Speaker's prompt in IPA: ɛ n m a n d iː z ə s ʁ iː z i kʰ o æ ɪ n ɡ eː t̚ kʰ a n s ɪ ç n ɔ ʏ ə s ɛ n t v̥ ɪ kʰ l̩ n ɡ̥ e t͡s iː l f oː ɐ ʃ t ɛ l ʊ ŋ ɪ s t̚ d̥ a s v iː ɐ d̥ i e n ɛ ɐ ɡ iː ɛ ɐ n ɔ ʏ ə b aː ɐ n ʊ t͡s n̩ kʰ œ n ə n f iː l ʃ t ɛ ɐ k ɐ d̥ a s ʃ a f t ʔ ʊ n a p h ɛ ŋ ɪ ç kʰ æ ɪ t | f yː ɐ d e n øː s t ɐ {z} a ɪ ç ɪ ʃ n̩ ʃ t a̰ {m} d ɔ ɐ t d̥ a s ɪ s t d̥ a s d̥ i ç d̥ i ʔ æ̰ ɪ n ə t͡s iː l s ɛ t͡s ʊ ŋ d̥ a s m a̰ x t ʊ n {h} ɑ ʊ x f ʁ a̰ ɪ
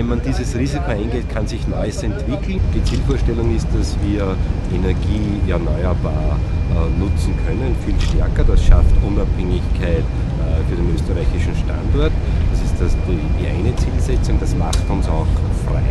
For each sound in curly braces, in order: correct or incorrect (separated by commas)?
incorrect, incorrect, incorrect